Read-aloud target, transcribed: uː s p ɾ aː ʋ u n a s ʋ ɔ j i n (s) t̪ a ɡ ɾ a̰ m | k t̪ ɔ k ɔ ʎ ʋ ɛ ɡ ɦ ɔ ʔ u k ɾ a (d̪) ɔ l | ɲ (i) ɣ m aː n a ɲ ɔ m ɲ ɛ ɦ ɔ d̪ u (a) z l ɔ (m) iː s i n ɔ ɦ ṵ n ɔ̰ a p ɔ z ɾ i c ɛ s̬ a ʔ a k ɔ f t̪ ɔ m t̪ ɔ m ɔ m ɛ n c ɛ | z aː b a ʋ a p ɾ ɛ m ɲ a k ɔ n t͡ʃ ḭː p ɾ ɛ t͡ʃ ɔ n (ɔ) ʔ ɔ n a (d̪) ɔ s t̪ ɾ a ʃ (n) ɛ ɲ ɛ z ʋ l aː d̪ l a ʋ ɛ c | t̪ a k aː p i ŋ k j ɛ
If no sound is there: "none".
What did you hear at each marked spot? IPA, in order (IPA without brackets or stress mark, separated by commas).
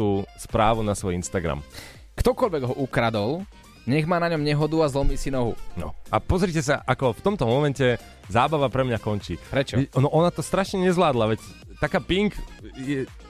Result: s, d̪, ɛ, a, m, ɔ, t̪, ɲ